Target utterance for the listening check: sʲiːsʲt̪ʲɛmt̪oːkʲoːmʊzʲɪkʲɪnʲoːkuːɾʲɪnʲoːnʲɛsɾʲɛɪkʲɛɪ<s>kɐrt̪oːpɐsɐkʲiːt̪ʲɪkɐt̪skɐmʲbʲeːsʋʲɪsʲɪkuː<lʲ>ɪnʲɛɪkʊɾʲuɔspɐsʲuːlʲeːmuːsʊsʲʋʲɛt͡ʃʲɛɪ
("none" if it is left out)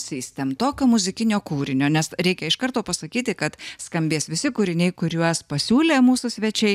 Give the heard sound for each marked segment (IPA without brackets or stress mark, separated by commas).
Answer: ʃ, ɾʲ